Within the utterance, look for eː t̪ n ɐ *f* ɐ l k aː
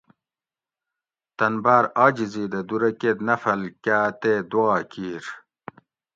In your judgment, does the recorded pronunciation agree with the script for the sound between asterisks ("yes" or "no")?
yes